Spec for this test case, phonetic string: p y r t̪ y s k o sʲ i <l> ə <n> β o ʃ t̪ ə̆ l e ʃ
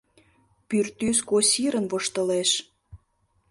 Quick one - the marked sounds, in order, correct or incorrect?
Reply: incorrect: ɾ, correct

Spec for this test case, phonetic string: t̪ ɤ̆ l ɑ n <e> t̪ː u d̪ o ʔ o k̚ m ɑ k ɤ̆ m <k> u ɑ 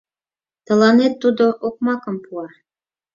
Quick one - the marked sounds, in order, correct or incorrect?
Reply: correct, incorrect: p

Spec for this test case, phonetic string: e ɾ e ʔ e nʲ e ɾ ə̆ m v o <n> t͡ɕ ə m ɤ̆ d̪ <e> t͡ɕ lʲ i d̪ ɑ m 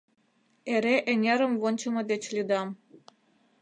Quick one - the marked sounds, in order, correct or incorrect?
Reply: correct, correct

